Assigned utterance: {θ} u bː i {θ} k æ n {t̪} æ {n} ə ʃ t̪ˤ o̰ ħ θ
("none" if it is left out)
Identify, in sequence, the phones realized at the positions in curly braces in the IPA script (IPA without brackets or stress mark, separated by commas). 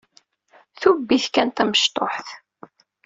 θ, θ, t̪, m